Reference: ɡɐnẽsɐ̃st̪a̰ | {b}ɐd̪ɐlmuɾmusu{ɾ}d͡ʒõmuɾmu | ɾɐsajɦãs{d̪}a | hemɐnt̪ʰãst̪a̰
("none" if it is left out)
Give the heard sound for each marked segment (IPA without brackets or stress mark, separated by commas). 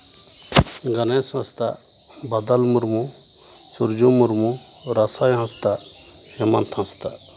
b, ɾ, t̪